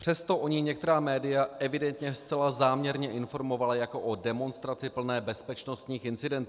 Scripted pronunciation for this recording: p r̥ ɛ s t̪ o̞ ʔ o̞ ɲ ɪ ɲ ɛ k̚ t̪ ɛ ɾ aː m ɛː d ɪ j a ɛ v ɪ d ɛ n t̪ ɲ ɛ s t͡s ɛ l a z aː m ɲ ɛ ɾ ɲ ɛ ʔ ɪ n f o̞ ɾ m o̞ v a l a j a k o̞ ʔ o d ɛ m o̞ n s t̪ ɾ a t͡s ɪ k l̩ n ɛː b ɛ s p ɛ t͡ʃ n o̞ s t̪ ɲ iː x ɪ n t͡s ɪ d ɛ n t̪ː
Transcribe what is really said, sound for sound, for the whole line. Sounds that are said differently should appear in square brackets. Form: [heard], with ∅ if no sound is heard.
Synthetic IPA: p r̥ ɛ s t̪ o̞ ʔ o̞ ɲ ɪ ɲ ɛ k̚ t̪ ɛ ɾ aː m ɛː d ɪ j a ɛ v ɪ d ɛ n t̪ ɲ ɛ s t͡s ɛ l a z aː m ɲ ɛ ɾ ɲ ɛ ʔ ɪ n f o̞ ɾ m o̞ v a l a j a k o̞ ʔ o d ɛ m o̞ n s t̪ ɾ a t͡s ɪ [p] l̩ n ɛː b ɛ s p ɛ t͡ʃ n o̞ s t̪ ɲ iː x ɪ n t͡s ɪ d ɛ n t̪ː